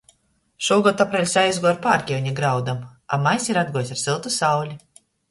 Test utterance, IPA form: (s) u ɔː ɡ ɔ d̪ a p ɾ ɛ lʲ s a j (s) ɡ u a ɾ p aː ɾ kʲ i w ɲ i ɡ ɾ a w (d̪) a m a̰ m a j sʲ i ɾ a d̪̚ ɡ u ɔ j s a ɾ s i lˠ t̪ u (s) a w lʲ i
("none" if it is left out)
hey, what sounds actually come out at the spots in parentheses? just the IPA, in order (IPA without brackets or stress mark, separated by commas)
ʃ, z, d̪, s